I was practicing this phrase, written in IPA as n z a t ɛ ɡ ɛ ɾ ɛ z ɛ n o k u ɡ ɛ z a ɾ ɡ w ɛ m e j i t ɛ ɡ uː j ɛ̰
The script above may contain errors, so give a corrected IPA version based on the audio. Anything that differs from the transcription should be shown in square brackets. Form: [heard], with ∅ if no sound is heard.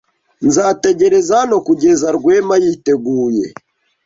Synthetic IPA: n z a t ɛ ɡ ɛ ɾ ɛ z [a] n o k u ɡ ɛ z a ɾ ɡ w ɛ m [a] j i t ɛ ɡ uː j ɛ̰